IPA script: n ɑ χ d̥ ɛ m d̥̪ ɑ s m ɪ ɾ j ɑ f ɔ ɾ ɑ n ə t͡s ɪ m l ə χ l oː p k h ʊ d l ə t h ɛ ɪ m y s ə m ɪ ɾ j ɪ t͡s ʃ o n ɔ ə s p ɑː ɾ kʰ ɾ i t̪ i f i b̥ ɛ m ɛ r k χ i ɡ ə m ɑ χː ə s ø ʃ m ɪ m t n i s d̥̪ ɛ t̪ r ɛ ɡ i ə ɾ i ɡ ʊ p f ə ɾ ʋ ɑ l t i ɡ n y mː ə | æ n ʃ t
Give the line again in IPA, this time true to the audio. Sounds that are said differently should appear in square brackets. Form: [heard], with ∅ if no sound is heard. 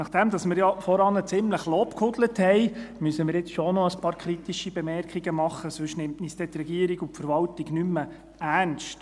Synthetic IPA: n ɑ χ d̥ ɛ m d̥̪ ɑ s m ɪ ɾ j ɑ f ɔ ɾ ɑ n ə t͡s ɪ m l ə χ l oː p k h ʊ d l ə t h ɛ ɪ m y s ə m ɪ ɾ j ɪ t͡s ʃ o n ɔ ə s p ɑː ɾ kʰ ɾ i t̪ i [ʃ] i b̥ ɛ m ɛ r k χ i ɡ ə m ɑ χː ə s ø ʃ [n] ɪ m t n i s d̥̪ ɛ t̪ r ɛ ɡ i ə ɾ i ɡ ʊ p f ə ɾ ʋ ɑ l t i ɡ n y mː ə | æ n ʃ t